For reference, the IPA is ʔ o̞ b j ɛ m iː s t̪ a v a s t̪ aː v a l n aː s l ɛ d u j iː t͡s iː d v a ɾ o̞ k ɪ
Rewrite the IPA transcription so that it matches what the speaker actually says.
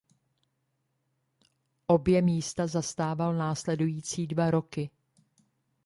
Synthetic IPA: ʔ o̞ b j ɛ m iː s t̪ a z a s t̪ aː v a l n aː s l ɛ d u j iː t͡s iː d v a ɾ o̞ k ɪ